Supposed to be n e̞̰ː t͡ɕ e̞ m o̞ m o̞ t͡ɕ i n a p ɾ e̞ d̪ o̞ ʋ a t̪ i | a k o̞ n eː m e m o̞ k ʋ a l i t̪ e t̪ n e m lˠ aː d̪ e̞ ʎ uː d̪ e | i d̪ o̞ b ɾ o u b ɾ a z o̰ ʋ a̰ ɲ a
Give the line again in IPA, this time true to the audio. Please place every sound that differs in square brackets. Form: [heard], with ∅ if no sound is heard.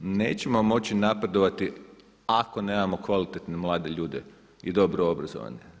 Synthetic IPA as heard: n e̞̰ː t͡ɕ e̞ m o̞ m o̞ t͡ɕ i n a p ɾ e̞ d̪ o̞ ʋ a t̪ i | a k o̞ n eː m [a] m o̞ k ʋ a l i t̪ e t̪ n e m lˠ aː d̪ e̞ ʎ uː d̪ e | i d̪ o̞ b ɾ o [o] b ɾ a z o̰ ʋ a̰ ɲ [e]